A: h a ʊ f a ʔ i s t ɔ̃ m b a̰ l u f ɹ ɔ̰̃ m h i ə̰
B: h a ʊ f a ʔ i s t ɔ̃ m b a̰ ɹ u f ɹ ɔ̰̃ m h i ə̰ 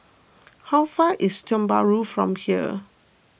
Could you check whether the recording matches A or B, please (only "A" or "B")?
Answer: B